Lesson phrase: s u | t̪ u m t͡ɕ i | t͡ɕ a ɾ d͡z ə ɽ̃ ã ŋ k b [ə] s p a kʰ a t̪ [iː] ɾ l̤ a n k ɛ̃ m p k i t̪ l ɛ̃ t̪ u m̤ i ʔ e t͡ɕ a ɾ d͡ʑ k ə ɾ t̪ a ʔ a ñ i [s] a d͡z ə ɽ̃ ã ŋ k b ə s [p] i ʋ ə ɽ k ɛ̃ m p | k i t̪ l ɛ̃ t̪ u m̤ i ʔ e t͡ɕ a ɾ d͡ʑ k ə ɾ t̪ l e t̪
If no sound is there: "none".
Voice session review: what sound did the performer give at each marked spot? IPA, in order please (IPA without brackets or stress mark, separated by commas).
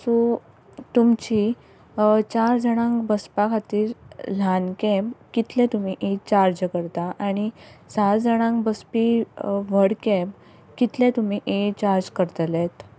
ə, iː, s, p